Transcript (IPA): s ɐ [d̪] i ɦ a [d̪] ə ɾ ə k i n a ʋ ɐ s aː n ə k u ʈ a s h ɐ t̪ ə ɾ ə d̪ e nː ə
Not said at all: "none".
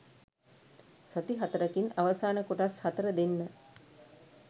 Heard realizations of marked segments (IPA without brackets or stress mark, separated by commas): t̪, t̪